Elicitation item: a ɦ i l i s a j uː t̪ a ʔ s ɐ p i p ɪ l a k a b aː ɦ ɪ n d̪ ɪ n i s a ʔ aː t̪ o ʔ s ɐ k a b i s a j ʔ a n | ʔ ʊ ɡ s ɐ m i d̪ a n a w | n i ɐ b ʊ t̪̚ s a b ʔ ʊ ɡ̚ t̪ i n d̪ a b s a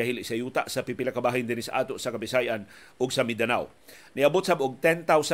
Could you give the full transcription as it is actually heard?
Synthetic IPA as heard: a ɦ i l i s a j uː t̪ a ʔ s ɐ p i p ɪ l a k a b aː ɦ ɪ n d̪ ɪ n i s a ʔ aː t̪ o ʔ s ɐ k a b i s a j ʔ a n | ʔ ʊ ɡ s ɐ m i d̪ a n a w | n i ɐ b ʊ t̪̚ s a b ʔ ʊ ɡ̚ t̪ ɛ n t̪ a w s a